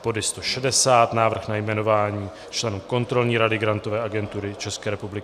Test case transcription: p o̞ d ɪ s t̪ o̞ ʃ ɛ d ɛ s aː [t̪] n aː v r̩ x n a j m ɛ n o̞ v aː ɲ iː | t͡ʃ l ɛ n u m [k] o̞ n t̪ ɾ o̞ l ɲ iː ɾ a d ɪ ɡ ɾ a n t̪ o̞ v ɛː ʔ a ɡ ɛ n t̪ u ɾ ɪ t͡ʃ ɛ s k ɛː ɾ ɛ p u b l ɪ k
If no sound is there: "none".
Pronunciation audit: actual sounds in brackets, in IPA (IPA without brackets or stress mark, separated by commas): t̪, k